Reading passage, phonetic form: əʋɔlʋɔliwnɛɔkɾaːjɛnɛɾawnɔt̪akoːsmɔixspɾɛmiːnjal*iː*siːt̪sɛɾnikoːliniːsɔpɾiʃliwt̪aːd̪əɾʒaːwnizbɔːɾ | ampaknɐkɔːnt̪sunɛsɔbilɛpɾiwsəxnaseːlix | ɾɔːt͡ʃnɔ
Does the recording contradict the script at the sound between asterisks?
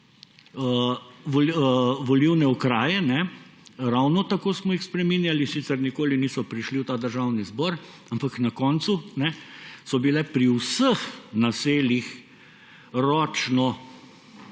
yes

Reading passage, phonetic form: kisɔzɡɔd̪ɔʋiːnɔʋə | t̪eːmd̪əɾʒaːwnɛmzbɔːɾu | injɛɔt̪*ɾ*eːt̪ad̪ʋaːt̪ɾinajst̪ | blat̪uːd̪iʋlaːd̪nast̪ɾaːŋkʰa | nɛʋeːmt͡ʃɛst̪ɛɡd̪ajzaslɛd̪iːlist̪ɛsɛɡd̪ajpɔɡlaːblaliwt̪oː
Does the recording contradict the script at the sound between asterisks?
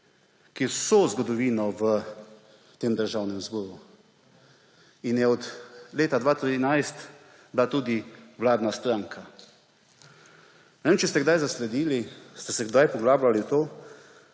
yes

